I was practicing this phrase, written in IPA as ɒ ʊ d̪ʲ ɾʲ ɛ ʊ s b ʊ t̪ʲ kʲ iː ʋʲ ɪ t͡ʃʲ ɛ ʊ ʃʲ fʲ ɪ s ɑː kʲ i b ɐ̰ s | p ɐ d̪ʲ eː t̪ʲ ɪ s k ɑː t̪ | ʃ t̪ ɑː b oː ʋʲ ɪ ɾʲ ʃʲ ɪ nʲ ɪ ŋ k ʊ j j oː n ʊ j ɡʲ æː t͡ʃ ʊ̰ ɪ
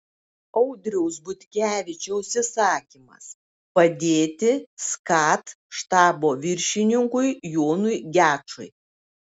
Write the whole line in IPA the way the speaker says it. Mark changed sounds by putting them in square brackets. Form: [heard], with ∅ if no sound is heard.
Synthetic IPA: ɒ ʊ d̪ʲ ɾʲ ɛ ʊ s b ʊ t̪ʲ kʲ [æː] ʋʲ ɪ t͡ʃʲ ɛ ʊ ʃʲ [sʲ] ɪ s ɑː kʲ i [m] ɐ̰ s | p ɐ d̪ʲ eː t̪ʲ ɪ s k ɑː t̪ | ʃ t̪ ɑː b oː ʋʲ ɪ ɾʲ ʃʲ ɪ nʲ ɪ ŋ k ʊ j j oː n ʊ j ɡʲ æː t͡ʃ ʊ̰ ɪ